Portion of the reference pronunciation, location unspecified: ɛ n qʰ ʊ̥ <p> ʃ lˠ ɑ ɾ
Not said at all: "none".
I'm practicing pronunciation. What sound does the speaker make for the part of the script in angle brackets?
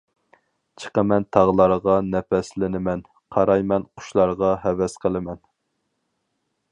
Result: none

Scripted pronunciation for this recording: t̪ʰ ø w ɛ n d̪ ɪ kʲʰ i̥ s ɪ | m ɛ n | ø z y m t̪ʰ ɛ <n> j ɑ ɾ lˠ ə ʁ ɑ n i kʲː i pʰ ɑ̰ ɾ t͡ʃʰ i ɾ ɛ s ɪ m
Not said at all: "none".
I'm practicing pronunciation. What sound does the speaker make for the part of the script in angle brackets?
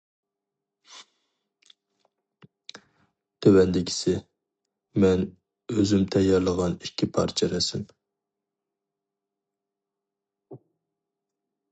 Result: none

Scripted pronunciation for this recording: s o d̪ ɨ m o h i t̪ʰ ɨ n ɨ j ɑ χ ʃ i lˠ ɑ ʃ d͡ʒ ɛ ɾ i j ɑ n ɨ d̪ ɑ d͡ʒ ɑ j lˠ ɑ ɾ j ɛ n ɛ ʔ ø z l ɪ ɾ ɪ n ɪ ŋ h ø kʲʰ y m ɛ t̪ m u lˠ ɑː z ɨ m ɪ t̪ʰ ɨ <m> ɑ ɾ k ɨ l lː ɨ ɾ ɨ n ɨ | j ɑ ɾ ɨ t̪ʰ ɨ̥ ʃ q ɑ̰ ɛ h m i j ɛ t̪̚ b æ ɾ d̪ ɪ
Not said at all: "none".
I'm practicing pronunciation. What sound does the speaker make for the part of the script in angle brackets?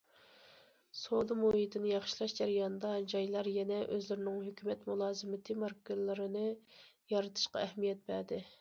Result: m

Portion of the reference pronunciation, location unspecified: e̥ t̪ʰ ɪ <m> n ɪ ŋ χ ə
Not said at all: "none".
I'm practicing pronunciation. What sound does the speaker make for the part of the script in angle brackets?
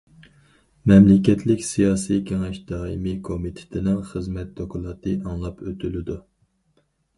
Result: none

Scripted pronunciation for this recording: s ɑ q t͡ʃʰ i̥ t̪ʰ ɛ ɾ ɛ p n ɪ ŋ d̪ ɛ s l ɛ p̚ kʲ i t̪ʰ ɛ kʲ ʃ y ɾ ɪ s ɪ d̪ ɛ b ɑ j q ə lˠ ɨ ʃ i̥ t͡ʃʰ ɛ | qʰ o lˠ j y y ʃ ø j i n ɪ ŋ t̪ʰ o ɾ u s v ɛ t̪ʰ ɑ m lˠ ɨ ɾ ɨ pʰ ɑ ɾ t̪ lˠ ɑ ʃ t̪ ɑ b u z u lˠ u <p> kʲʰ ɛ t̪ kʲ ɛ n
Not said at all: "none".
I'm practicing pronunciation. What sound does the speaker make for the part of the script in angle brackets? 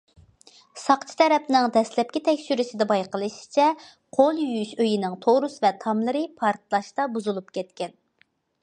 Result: p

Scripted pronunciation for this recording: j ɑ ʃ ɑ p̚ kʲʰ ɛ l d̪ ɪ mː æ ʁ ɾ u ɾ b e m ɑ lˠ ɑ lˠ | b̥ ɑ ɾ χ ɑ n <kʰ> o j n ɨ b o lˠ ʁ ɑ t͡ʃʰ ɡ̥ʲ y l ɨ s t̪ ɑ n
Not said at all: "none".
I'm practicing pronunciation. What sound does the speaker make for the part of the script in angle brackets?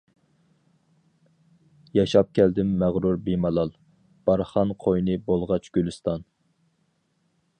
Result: qʰ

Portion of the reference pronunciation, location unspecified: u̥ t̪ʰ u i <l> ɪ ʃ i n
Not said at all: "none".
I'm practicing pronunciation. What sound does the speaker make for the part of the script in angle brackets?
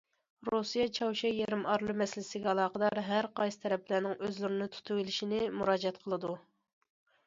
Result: l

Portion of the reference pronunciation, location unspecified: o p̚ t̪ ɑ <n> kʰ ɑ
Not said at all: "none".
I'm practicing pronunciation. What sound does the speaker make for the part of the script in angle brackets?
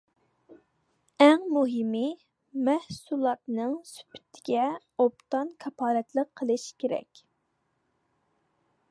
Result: n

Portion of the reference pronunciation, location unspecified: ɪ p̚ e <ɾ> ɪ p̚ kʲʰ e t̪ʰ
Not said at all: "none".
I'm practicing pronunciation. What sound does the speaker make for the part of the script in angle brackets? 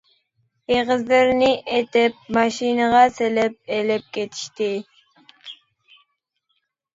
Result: l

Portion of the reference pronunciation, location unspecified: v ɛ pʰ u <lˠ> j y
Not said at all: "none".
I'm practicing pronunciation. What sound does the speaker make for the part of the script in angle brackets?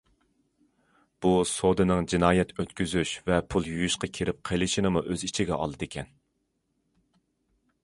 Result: lˠ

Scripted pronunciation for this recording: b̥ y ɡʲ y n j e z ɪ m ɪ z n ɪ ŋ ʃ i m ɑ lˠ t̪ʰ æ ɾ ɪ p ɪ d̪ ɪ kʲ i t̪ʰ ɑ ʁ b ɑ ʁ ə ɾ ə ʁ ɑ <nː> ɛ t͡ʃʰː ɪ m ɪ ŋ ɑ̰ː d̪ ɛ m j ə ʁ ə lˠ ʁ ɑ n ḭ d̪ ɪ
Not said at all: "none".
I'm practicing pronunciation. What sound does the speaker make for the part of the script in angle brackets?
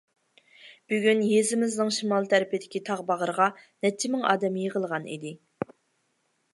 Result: n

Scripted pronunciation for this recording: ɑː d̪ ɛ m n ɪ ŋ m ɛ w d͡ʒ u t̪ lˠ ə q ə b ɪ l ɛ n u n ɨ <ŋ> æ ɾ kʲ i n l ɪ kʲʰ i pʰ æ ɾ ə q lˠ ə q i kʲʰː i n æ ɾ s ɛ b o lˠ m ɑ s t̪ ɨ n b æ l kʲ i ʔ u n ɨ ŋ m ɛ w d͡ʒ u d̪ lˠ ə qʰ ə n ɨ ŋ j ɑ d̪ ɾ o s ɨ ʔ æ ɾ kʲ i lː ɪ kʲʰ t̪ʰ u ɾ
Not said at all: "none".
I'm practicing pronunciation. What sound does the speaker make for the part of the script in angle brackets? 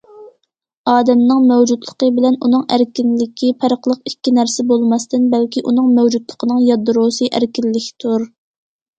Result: ŋ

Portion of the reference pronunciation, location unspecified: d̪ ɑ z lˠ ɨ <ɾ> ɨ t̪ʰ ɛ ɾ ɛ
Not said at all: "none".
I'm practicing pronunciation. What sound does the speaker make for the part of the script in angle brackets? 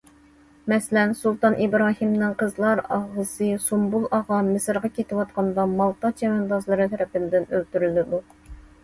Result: ɾ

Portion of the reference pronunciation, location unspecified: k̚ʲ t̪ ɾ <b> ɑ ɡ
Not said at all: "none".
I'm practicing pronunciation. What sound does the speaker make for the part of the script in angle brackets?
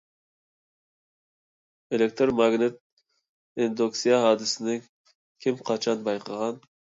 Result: m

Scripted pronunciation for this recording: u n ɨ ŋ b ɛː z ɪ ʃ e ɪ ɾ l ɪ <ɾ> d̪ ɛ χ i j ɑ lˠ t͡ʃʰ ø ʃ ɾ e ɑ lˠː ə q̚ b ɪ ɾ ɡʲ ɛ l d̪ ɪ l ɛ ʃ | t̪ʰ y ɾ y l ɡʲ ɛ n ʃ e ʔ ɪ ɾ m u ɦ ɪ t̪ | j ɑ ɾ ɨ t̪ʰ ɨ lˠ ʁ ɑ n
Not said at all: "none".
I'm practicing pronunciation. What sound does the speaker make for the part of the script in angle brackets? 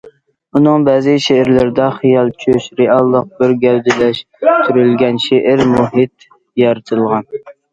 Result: ɾ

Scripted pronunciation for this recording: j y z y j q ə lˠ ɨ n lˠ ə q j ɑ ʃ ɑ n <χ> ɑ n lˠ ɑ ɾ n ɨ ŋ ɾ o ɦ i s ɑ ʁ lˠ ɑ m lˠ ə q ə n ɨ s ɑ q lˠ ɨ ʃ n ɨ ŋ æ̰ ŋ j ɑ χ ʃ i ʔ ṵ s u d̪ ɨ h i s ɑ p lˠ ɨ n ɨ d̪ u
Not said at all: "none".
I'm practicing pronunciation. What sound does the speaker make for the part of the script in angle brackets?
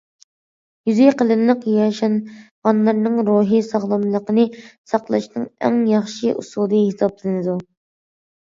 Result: ʁ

